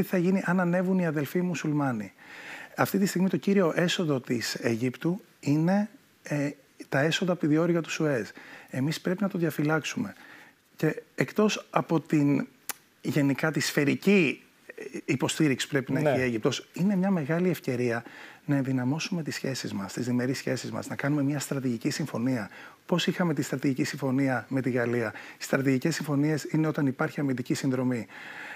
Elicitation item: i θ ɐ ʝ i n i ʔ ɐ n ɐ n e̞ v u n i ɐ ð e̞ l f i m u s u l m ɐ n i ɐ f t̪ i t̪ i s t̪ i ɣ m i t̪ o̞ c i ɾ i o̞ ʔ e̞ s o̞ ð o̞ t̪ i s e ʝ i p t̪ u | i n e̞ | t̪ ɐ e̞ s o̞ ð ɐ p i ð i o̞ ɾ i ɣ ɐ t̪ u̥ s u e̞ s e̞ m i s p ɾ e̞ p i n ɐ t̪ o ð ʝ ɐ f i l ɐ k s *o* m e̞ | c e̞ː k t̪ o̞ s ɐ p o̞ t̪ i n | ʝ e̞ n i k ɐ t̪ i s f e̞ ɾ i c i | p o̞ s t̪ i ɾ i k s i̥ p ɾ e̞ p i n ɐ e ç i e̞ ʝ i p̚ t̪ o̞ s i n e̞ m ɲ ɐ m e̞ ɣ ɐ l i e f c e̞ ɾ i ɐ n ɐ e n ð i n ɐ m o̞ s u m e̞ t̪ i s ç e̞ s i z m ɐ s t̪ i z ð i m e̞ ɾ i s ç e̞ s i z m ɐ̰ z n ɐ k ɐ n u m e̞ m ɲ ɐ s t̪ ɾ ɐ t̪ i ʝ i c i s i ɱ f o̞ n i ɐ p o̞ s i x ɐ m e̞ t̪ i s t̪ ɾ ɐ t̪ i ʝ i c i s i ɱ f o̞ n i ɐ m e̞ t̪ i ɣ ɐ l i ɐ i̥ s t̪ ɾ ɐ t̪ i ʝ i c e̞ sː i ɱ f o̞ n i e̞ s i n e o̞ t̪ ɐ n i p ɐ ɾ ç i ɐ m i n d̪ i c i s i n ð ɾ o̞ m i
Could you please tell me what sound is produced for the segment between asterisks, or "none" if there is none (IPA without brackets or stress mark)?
u